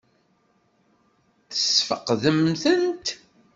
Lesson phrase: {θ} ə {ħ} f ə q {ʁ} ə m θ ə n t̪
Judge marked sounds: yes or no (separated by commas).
yes, no, no